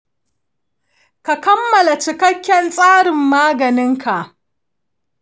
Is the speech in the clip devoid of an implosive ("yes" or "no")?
yes